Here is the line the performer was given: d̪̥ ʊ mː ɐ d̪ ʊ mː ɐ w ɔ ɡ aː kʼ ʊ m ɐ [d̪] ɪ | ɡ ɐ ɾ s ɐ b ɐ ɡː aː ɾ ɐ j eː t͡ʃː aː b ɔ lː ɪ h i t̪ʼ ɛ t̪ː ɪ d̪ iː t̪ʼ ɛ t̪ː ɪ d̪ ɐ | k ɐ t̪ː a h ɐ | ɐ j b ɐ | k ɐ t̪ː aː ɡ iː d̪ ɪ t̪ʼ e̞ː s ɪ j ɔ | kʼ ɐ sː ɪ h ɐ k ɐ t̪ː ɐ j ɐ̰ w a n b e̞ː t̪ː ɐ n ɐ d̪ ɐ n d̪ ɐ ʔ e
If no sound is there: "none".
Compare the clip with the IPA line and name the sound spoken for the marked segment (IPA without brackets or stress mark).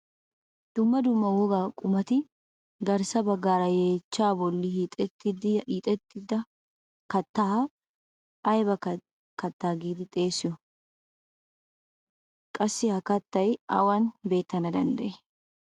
t̪